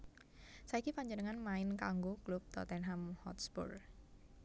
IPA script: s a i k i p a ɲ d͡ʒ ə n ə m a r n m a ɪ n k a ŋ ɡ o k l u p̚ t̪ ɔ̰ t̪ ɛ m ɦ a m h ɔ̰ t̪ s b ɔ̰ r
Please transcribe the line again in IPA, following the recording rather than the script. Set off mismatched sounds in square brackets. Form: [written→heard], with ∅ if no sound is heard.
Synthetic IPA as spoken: s a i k i p a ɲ d͡ʒ ə n ə [m→ŋ] a [r→∅] n m a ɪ n k a ŋ ɡ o k l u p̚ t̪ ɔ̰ t̪ ɛ [m→n] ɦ a m h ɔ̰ t̪ s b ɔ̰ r